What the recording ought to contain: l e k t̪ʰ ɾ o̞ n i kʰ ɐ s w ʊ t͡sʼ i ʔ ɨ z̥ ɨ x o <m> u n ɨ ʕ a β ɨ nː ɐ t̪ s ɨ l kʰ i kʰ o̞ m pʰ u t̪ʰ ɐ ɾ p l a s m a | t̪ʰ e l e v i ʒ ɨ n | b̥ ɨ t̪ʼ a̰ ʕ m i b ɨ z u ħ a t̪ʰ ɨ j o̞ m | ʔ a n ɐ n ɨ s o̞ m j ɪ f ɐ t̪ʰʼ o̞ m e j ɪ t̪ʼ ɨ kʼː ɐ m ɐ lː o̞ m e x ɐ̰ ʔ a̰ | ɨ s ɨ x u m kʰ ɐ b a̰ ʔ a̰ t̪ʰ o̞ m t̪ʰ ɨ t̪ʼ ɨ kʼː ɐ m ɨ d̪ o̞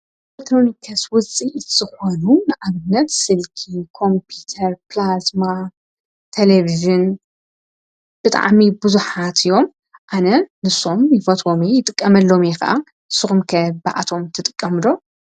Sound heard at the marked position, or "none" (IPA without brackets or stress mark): n